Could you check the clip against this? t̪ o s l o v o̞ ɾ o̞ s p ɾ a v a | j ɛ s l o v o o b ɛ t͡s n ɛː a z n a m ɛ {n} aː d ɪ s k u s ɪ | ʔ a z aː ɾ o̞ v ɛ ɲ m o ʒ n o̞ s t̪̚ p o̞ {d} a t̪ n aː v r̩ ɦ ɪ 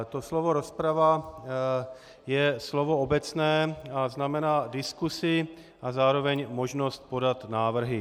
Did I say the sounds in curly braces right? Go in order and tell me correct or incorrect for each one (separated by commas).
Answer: correct, correct